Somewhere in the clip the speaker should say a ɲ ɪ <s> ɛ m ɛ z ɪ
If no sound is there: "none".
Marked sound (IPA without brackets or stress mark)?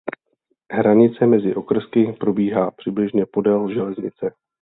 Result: t͡s